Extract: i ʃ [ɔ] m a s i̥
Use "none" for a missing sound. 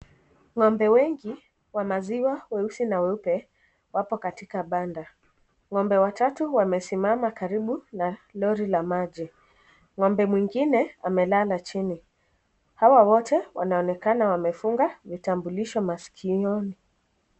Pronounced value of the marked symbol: ɔ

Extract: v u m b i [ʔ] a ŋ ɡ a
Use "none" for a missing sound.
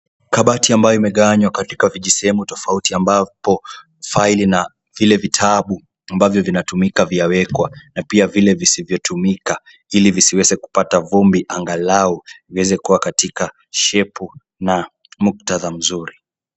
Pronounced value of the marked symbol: ʔ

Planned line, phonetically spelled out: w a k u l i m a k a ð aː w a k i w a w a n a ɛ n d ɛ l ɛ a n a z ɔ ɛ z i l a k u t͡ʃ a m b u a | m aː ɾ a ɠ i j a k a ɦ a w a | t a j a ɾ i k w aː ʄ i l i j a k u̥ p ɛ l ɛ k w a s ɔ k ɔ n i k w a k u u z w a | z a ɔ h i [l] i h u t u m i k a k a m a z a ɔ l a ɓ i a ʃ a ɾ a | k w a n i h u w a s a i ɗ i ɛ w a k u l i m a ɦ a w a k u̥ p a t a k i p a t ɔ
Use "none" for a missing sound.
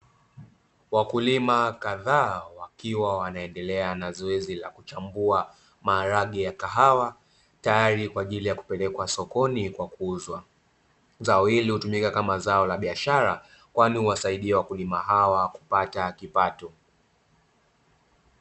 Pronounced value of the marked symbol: l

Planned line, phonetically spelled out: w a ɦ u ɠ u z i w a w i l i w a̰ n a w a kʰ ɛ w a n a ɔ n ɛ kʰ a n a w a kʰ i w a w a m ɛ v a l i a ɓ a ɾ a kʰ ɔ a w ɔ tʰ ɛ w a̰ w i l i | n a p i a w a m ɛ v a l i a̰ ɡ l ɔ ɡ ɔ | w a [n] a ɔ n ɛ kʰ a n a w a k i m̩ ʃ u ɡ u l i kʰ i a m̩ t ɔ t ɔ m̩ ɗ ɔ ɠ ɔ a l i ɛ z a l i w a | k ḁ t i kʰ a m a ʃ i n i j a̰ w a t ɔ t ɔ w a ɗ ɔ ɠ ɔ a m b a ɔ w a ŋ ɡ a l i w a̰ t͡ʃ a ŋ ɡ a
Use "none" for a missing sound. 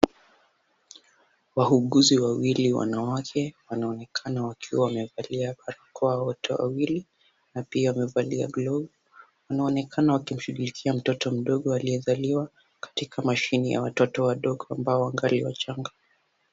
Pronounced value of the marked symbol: n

